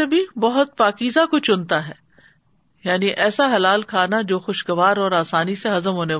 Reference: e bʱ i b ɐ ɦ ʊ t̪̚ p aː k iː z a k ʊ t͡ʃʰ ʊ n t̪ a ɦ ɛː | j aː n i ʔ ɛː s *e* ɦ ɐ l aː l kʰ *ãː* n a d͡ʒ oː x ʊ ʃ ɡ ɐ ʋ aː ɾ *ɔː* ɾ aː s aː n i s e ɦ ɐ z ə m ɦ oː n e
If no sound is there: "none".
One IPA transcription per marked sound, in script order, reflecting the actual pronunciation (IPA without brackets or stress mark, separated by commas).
a, aː, ɔː